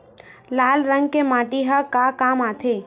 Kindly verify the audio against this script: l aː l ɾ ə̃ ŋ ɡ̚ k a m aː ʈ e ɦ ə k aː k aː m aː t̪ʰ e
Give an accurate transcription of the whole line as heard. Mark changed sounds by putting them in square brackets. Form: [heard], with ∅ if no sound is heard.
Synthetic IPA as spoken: l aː l ɾ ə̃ ŋ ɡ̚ k [e] m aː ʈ [i] ɦ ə k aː k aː m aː t̪ʰ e